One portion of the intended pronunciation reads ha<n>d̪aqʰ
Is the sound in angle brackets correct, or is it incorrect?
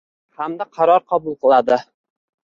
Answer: incorrect: m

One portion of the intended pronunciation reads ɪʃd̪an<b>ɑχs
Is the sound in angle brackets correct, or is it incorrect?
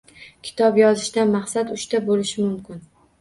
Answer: incorrect: m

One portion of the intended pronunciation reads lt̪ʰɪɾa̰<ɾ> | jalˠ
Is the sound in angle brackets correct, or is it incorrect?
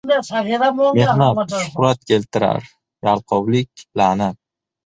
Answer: correct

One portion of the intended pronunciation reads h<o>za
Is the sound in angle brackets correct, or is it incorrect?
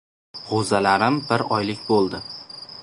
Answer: correct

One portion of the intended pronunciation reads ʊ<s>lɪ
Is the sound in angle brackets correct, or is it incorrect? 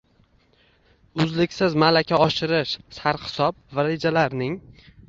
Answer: incorrect: z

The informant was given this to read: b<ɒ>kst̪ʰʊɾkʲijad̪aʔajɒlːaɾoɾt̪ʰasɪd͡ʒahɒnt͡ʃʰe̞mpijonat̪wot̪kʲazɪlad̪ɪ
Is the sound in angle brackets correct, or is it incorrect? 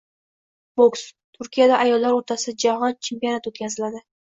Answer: incorrect: o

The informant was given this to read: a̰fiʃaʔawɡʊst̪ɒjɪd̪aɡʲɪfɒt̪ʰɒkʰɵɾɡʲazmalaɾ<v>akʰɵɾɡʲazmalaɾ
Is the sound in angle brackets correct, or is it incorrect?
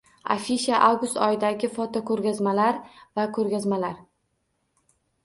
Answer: correct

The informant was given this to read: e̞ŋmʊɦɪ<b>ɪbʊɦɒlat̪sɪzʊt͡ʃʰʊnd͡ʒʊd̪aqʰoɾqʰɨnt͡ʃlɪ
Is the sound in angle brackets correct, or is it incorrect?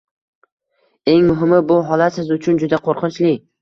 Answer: incorrect: m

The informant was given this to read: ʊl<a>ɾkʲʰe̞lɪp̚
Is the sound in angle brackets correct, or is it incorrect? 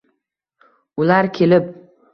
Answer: correct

